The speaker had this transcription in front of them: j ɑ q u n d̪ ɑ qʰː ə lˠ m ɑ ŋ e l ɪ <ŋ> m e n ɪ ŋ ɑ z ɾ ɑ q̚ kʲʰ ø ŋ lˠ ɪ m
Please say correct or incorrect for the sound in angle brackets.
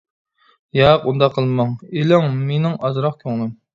correct